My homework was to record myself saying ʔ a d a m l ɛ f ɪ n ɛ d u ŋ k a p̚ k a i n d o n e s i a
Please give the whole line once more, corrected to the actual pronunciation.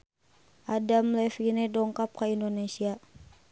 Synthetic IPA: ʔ a d a m l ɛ f i n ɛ d ɔ ŋ k a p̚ k a i n d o n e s i a